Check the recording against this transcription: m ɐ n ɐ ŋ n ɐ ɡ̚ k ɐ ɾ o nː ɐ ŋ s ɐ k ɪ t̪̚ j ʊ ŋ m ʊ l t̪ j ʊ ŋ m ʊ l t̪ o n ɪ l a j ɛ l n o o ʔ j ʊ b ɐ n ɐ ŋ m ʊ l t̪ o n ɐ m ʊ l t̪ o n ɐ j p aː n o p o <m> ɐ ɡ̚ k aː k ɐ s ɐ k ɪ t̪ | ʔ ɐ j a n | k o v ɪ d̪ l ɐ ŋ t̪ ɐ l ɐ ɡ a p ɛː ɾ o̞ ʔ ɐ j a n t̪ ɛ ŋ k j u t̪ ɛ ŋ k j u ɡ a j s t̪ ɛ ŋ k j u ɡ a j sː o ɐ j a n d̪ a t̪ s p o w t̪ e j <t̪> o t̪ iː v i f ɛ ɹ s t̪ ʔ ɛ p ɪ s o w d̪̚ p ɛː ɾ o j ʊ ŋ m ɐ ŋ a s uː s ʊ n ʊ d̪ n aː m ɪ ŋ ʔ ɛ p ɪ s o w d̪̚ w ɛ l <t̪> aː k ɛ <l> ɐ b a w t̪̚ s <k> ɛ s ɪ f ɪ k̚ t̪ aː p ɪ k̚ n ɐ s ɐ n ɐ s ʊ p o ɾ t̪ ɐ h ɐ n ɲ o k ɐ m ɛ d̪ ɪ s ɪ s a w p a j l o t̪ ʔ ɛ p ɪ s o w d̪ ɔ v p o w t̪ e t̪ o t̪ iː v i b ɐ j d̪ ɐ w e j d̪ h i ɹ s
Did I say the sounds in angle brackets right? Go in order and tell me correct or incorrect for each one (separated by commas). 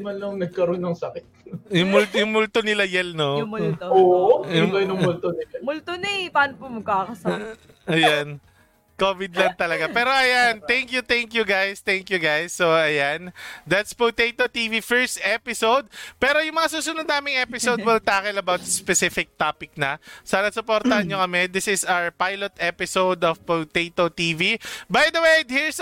correct, correct, correct, correct, incorrect